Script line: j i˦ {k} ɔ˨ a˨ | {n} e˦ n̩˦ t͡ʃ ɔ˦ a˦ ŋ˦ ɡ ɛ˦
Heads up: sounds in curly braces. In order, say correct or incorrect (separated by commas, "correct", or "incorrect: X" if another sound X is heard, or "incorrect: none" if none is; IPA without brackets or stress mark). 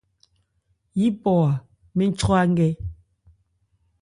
incorrect: p, incorrect: m